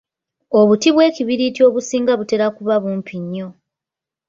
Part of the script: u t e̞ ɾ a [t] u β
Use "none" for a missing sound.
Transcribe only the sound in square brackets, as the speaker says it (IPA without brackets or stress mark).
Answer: k